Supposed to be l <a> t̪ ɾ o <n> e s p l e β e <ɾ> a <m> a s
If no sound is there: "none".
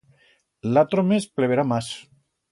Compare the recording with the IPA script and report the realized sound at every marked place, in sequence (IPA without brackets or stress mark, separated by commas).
a, m, ɾ, m